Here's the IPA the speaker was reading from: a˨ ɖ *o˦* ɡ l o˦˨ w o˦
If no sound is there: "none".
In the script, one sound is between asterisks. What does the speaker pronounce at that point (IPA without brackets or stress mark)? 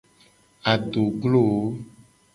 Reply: o˨